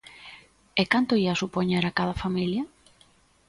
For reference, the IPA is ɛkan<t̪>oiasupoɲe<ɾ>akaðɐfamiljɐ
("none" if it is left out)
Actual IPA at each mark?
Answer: t̪, ɾ

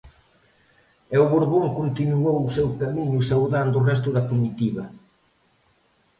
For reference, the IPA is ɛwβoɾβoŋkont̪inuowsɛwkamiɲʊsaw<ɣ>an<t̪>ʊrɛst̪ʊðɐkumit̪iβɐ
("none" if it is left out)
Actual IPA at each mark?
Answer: ð, d̪

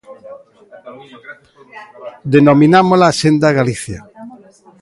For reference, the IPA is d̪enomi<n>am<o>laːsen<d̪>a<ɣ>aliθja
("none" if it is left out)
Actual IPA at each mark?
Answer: n, o, d̪, ɣ

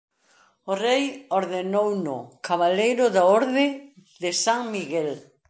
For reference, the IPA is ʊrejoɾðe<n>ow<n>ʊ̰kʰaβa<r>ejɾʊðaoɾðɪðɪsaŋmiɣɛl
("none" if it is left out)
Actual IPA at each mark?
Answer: n, n, l

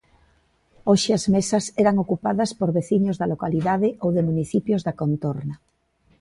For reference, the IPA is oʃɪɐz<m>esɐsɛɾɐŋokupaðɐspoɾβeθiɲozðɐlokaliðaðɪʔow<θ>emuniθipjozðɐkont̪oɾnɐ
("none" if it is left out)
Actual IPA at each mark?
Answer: m, ð

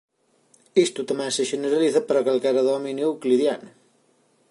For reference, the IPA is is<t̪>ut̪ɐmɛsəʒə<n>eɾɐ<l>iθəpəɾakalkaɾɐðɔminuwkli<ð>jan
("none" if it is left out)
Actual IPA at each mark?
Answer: t̪, n, l, ð

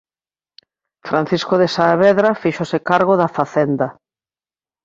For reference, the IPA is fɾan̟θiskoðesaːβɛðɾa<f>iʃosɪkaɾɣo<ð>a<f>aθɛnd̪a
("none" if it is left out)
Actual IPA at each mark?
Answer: f, ð, f

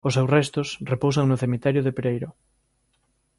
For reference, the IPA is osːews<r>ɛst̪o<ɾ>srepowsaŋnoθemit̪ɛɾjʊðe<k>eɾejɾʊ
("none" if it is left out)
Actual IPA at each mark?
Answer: r, none, p

